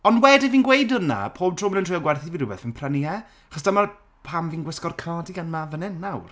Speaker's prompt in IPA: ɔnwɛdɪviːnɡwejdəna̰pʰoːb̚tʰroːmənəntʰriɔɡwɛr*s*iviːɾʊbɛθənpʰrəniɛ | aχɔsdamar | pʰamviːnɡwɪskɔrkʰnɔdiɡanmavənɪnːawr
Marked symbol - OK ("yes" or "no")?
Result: no